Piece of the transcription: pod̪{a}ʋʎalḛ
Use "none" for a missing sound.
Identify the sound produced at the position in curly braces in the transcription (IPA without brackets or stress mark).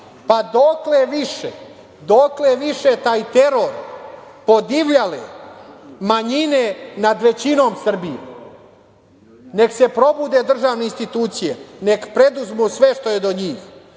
i